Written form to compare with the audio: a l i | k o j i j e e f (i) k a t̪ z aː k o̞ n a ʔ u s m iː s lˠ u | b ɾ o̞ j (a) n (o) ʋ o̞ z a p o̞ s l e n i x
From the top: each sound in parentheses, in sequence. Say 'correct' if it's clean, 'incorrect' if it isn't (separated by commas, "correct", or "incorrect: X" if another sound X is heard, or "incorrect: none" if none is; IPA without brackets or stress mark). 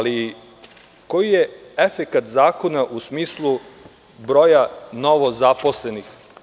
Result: incorrect: e, correct, correct